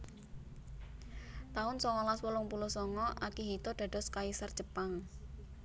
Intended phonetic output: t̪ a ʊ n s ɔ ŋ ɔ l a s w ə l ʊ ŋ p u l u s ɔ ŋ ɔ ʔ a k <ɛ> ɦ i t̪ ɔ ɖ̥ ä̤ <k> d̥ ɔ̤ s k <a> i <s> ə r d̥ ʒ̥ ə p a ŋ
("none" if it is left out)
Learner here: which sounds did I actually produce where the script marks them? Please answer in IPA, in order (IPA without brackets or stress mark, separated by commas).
i, none, a, s